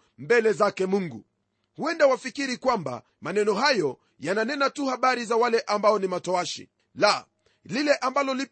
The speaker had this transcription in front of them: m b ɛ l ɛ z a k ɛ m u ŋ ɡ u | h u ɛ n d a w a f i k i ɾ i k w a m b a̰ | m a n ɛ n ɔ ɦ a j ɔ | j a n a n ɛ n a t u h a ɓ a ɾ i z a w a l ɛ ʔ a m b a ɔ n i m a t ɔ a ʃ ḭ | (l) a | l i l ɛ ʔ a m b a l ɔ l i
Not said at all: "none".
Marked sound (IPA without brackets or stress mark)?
l